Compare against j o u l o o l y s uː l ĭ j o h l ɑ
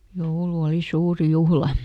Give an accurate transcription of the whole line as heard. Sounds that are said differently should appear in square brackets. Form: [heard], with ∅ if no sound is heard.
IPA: j o u l [u] o l [i] s uː [r] ĭ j [u] h l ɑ